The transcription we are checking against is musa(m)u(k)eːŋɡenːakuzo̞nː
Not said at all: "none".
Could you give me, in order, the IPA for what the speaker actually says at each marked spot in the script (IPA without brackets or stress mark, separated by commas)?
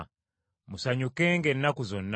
ɲ, k